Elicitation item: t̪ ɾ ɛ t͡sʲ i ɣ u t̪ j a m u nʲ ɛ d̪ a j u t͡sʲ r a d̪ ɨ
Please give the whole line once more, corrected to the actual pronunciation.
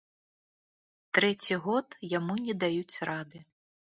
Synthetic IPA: t̪ ɾ ɛ t͡sʲ i ɣ ɔ t̪ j a m u nʲ ɛ d̪ a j u t͡sʲ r a d̪ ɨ